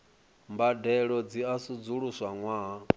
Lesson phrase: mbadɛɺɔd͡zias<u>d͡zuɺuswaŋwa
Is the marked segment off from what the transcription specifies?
no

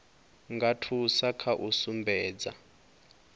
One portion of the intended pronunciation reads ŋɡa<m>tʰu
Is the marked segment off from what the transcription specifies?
yes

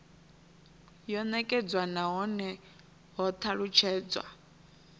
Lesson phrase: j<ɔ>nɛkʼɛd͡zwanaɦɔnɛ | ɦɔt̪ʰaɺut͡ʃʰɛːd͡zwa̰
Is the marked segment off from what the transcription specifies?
no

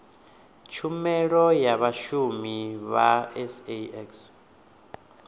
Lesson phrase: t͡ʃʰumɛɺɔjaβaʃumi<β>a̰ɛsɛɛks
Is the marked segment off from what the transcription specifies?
no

